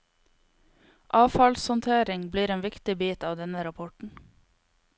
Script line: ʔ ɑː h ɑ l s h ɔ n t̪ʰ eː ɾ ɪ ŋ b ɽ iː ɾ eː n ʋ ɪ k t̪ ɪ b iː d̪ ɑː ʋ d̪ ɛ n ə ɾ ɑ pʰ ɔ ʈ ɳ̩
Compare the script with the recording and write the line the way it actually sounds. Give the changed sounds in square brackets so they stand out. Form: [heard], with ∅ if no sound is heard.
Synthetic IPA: ʔ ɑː [f] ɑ l s h ɔ n t̪ʰ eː ɾ ɪ ŋ b [l] iː ɾ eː n ʋ ɪ k t̪ ɪ b iː [t̪] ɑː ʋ d̪ ɛ n ə ɾ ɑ pʰ ɔ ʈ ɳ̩

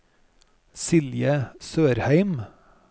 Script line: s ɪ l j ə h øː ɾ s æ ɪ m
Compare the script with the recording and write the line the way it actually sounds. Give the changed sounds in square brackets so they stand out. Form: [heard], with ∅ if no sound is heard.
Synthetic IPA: s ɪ l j ə [s] øː ɾ [h] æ ɪ m

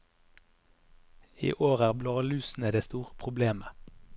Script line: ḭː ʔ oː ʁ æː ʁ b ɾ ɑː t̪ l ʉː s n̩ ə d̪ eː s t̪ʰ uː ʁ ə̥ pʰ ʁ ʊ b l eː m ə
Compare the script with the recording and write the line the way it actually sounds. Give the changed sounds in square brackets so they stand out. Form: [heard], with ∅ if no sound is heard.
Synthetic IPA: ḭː ʔ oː ʁ æː ʁ b [l] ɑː [∅] l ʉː s n̩ ə d̪ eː s [t̪] uː ʁ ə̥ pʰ ʁ ʊ b l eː m ə

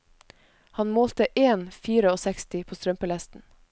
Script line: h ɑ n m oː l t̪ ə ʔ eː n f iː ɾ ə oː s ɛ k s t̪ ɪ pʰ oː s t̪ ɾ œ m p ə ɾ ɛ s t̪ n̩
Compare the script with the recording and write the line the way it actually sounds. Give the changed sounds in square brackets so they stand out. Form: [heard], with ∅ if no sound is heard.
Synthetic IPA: h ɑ n m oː l t̪ ə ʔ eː n f iː ɾ ə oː s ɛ k s t̪ ɪ pʰ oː s t̪ ɾ œ m p ə [l] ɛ s t̪ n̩

